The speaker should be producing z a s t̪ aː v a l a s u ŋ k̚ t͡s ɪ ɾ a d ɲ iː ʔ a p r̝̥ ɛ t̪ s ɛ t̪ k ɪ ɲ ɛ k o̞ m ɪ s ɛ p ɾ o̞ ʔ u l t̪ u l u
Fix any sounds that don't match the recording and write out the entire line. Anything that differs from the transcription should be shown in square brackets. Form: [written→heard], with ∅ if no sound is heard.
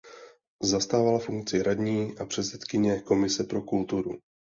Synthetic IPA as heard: z a s t̪ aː v a l a [s→f] u ŋ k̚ t͡s ɪ ɾ a d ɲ iː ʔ a p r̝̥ ɛ t̪ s ɛ t̪ k ɪ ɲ ɛ k o̞ m ɪ s ɛ p ɾ o̞ [ʔ→k] u l t̪ u [l→ɾ] u